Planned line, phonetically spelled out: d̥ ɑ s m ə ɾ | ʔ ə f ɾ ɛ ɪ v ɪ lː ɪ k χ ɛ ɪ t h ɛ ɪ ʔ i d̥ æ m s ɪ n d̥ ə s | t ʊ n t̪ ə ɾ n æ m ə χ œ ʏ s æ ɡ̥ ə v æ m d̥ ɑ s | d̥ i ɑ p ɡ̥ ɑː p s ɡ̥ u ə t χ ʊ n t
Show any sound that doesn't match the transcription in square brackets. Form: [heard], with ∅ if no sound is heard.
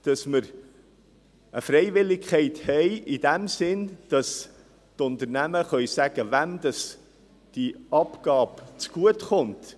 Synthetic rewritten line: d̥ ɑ s m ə ɾ | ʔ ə f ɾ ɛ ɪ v ɪ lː ɪ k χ ɛ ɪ t h ɛ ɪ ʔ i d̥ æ m s ɪ n d̥ [ɑ] s | t ʊ n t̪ ə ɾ n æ m ə χ œ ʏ s æ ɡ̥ ə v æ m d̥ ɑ s | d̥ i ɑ p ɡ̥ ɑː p [t͡s] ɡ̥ u ə t χ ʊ n t